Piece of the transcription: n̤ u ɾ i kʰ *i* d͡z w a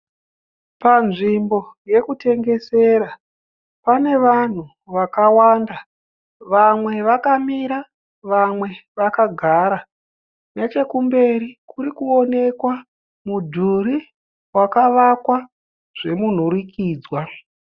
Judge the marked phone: incorrect: iː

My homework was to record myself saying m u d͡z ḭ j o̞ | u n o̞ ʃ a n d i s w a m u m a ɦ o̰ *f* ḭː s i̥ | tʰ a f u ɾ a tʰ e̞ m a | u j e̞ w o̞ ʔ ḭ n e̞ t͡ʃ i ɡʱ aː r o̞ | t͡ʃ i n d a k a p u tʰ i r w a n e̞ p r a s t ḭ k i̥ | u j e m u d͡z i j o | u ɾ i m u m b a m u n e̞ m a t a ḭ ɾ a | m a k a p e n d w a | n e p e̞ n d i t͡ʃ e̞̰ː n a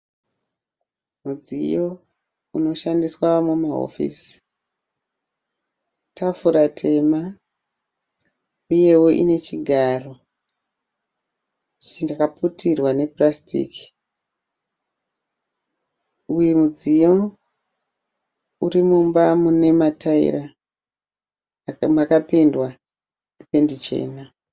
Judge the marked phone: correct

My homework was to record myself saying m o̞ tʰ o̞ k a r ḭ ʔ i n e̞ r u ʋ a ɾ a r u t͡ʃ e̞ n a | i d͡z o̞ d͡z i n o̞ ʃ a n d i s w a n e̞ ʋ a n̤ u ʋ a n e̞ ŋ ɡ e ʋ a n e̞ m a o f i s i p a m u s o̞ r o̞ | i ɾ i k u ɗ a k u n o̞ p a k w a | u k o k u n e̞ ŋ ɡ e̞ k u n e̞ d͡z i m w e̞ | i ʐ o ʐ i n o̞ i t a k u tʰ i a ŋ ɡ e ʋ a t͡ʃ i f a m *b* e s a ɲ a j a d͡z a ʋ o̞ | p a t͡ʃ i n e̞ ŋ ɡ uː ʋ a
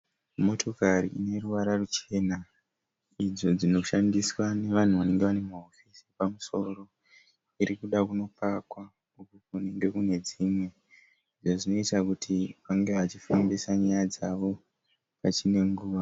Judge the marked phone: correct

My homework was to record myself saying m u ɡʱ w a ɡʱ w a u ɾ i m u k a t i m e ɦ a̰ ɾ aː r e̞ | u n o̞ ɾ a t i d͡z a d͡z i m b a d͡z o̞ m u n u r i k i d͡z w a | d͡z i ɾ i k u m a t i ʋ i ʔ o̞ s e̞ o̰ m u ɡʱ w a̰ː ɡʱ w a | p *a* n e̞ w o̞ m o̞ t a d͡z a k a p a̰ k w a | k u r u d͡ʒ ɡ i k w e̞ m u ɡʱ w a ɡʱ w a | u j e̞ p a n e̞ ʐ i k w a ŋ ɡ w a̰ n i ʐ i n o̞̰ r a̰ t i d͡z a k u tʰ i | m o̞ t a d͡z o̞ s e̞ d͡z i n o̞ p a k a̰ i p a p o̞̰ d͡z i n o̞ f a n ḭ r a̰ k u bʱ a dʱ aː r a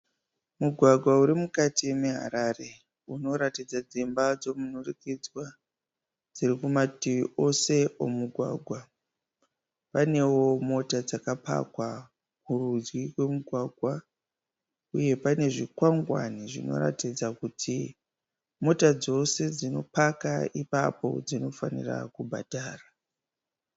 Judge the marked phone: correct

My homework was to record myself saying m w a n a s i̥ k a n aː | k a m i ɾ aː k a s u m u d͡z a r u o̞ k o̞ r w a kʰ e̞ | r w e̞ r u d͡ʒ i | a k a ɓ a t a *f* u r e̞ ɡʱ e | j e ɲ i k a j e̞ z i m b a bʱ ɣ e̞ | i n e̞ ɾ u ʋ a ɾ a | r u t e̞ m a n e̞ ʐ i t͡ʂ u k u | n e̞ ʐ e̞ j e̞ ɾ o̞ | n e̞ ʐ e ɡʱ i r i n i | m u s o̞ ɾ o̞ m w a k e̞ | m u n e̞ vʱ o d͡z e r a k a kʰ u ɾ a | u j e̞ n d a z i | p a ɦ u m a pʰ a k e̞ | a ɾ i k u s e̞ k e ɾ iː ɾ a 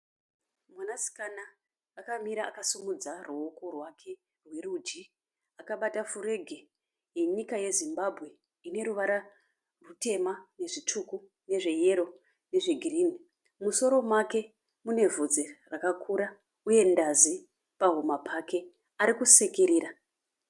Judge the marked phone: correct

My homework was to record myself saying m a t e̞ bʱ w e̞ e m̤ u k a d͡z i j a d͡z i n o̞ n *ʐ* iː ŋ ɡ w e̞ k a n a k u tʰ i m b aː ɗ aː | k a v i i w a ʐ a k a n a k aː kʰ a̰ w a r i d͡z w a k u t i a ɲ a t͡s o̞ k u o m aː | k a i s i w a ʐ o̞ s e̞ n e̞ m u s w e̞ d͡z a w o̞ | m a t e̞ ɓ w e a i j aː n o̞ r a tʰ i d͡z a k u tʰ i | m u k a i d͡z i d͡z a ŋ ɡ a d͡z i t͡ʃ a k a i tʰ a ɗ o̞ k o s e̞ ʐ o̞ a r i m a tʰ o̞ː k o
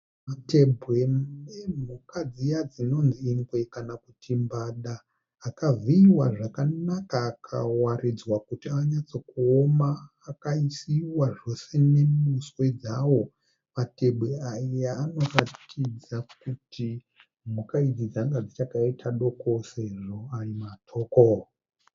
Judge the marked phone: incorrect: z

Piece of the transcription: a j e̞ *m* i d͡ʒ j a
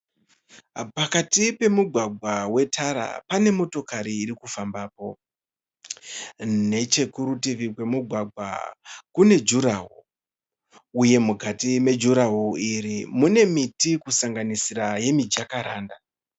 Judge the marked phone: correct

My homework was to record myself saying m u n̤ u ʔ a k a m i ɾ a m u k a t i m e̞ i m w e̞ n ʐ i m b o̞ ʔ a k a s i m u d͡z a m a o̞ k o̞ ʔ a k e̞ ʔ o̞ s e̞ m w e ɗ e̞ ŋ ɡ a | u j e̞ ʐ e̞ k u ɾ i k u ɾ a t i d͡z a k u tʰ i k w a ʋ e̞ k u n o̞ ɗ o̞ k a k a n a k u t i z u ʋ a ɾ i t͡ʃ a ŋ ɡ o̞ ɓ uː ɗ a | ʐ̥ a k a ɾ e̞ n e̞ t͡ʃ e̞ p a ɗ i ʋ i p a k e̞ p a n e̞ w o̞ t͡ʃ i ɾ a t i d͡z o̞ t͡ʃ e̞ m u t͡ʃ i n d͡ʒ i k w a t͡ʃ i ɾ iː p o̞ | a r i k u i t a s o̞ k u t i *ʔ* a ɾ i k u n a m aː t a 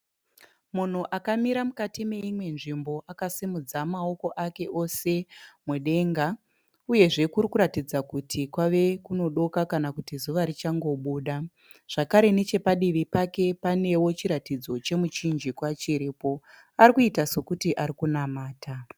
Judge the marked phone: correct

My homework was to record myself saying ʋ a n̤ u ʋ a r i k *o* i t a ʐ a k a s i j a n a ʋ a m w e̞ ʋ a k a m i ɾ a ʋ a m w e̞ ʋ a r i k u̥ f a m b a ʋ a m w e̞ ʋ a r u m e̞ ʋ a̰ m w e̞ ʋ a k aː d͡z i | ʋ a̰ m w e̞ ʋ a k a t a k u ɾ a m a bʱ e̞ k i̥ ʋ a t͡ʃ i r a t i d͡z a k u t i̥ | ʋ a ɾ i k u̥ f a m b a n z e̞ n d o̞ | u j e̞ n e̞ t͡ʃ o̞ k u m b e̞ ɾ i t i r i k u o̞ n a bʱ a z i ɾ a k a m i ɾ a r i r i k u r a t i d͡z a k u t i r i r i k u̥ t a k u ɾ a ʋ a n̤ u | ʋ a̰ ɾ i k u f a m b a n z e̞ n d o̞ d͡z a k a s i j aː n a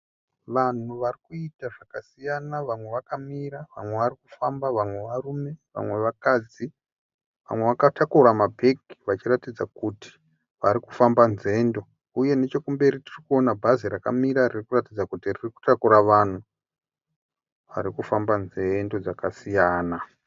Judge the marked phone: incorrect: u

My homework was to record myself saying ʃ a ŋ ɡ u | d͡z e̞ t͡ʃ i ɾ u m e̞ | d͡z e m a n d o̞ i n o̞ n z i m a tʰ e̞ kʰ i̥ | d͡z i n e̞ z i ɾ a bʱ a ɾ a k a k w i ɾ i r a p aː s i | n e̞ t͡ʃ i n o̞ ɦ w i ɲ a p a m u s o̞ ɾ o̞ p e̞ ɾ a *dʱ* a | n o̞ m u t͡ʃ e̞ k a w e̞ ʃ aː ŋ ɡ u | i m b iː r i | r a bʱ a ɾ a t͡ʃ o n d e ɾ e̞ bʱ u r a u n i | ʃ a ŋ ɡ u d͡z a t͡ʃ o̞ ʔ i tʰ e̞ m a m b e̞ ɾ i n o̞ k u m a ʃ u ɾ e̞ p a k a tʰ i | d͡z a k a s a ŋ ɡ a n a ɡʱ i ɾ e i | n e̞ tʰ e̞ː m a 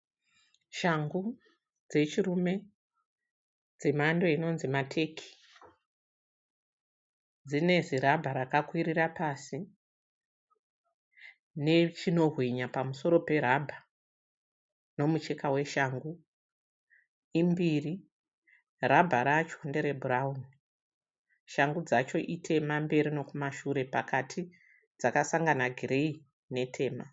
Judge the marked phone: incorrect: bʱ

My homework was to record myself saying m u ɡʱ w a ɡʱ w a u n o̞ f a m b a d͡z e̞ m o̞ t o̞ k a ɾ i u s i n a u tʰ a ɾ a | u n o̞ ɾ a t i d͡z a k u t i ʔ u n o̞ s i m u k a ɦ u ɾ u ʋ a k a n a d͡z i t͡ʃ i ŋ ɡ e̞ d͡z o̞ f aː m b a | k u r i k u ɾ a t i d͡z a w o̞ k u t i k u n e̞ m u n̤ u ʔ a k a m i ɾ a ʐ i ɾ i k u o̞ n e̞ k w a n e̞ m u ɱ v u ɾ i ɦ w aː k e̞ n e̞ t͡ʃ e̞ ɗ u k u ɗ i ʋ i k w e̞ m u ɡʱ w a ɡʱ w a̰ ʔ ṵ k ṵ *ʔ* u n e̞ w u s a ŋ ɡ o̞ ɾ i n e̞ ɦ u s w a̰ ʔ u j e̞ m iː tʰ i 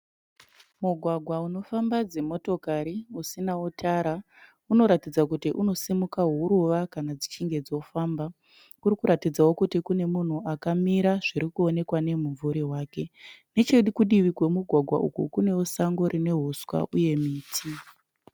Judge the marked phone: incorrect: k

